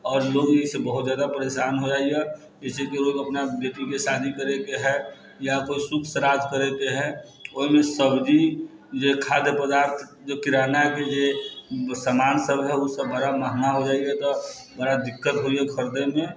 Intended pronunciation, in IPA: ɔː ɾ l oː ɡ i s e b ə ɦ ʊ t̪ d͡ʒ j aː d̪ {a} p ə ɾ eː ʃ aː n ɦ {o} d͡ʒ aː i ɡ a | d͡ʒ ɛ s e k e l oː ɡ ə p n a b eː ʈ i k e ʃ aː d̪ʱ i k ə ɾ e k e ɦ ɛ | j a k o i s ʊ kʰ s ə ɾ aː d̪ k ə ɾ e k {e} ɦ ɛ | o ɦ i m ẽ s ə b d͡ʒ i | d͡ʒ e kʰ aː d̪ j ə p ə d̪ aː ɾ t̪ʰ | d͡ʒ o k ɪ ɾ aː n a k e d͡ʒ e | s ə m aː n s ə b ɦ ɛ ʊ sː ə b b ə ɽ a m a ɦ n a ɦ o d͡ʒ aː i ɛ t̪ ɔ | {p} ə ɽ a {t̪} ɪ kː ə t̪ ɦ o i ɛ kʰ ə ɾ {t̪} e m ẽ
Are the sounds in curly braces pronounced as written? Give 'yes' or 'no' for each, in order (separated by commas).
yes, yes, yes, no, no, no